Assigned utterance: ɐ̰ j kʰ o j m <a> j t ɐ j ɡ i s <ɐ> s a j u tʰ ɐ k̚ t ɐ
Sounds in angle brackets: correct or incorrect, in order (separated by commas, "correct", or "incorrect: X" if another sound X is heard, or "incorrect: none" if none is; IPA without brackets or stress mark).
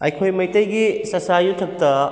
incorrect: ɐ, correct